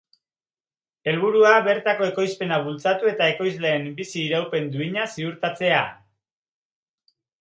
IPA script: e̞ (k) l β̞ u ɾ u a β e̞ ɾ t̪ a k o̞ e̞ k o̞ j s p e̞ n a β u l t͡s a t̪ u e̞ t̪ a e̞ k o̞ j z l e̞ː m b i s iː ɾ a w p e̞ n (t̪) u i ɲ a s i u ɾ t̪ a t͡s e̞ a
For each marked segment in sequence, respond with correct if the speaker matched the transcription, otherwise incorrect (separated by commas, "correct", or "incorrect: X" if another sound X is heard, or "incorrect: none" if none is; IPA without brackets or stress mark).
incorrect: none, incorrect: d̪